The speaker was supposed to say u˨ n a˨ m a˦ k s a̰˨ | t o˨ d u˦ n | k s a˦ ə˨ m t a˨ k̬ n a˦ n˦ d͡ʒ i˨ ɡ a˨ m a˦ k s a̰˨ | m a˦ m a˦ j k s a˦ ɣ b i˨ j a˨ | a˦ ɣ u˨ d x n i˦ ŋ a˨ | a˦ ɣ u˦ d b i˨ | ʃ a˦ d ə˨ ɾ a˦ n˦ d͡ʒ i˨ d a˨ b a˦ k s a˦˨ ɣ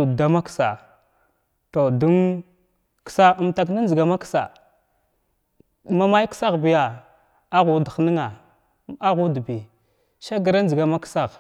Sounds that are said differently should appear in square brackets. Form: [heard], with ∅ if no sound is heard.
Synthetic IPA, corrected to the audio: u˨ [d] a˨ m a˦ k s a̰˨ | t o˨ d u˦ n | k s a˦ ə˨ m t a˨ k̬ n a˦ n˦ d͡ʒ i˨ ɡ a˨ m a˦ k s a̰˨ | m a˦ m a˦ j k s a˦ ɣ b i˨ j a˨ | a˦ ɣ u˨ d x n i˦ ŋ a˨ | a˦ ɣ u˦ d b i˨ | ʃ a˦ [ɡ] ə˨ ɾ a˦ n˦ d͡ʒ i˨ [ɡ] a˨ [m] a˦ k s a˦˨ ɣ